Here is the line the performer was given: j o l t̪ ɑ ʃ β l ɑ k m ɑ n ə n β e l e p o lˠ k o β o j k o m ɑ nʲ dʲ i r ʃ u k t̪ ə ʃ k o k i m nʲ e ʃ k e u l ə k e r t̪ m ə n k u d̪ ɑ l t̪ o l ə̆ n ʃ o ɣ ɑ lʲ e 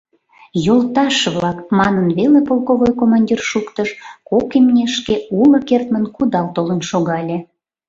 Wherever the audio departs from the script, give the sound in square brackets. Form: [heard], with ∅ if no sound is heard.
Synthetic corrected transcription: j o l t̪ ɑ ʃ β l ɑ k m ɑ n ə n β e l e p o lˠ k o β o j k o m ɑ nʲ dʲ i r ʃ u k t̪ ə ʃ k o k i m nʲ e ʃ k e u l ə k e r t̪ m ə n k u d̪ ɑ l t̪ o l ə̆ n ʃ o ɣ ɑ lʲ e